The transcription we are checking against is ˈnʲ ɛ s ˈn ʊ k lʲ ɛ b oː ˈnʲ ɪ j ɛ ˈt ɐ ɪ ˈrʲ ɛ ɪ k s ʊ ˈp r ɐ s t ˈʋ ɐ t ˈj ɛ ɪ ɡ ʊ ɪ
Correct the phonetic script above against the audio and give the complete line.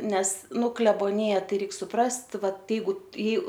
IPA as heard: ˈnʲ ɛ s ˈn ʊ k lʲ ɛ b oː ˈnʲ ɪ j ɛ ˈt ɐ ɪ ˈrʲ ɛ ɪ k s ʊ ˈp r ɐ s t ˈʋ ɐ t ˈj ɛ ɪ ɡ ʊ ɪ